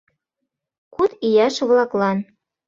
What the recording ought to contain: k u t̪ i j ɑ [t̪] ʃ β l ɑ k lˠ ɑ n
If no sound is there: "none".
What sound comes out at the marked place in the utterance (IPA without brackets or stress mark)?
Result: none